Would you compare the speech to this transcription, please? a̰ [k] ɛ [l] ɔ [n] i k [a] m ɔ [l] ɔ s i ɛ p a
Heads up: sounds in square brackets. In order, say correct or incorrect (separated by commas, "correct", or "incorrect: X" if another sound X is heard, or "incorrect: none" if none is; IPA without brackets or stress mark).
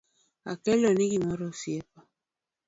correct, correct, correct, incorrect: i, incorrect: ɾ